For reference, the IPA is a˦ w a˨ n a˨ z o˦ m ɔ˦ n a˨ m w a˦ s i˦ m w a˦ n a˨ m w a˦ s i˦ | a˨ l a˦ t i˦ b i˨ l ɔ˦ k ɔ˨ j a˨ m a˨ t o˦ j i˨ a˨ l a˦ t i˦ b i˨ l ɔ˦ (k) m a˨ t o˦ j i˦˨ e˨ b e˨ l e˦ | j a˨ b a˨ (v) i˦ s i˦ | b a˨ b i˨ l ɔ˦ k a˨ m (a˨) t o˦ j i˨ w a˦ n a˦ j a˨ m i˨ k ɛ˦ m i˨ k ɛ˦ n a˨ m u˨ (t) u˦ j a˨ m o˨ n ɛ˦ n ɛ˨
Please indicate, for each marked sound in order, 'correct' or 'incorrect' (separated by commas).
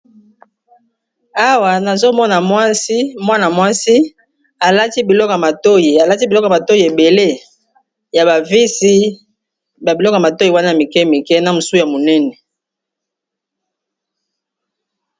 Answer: correct, correct, correct, incorrect